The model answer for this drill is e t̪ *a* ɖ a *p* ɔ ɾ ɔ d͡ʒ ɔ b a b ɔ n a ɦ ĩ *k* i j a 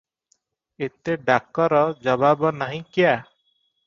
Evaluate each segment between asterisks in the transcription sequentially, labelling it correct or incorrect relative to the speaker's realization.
incorrect, incorrect, correct

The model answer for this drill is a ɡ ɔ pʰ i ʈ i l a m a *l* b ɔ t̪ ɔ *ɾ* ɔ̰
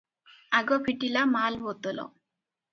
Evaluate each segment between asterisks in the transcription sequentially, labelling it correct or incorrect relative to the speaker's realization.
correct, incorrect

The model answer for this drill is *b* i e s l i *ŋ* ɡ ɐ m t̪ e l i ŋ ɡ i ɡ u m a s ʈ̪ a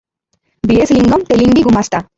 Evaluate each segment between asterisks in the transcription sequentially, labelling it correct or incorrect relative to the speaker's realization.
correct, correct

